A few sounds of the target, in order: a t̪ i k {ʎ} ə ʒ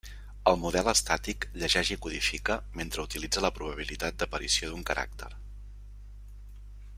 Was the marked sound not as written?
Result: no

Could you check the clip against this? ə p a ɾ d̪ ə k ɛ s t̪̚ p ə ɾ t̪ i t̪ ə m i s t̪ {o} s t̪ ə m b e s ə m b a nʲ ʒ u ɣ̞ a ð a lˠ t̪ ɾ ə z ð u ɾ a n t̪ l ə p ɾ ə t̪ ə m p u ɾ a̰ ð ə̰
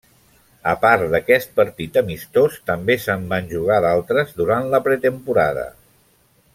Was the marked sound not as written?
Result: no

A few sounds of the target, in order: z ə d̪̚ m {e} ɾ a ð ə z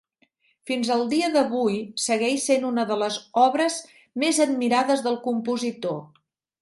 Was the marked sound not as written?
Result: yes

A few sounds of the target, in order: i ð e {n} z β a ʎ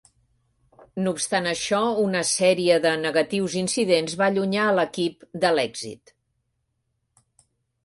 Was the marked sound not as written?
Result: no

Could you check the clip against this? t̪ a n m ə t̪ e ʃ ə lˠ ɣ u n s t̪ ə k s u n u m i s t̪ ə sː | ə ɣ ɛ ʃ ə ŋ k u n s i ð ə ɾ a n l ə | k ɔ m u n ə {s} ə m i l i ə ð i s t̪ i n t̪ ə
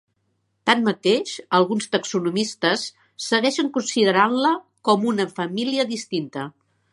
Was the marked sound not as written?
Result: yes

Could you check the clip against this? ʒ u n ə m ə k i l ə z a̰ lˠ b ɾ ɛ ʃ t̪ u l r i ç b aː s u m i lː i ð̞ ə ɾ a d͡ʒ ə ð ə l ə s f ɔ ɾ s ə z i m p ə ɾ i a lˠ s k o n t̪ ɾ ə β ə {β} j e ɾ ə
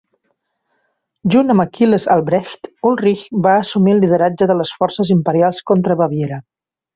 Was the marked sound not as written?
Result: no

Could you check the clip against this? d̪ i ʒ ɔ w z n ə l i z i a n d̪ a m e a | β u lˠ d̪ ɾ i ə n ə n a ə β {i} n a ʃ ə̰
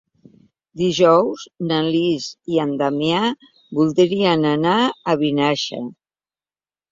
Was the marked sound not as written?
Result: no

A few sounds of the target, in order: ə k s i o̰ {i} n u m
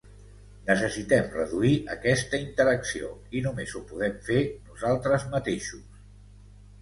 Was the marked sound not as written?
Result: no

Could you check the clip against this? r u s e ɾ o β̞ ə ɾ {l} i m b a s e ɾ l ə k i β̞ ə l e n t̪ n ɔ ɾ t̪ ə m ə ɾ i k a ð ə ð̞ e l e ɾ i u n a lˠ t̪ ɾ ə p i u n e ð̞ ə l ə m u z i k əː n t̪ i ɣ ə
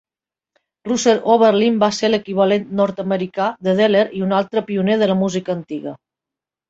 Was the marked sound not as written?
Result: no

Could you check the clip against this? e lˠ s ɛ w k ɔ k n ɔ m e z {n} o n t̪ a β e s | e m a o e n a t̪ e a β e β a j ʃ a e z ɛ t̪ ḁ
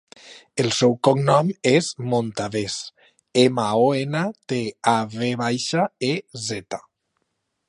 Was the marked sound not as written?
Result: yes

